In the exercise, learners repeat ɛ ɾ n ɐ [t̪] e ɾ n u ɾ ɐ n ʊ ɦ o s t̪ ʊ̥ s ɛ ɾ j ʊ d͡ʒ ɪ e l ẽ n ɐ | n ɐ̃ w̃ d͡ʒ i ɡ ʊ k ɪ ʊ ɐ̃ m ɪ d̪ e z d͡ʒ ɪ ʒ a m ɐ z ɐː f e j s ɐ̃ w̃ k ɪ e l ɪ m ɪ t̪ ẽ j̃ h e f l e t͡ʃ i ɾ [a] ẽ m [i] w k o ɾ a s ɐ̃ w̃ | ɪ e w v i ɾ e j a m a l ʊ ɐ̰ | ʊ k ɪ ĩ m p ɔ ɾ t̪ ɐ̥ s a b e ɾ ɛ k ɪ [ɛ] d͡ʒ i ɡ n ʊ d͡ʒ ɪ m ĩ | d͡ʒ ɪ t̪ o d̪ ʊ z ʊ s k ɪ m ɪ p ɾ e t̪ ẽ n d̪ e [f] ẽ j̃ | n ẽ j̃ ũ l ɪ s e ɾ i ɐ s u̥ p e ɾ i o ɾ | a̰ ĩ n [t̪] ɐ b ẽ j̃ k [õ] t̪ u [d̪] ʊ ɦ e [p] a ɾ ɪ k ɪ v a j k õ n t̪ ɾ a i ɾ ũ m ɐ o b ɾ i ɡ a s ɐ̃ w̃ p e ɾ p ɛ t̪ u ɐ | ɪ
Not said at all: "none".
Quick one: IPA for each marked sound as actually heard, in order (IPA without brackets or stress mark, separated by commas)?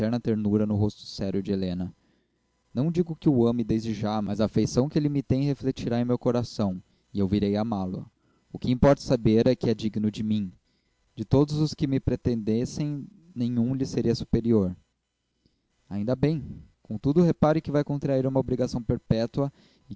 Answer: t̪, a, e, ɛ, s, d̪, õ, d̪, p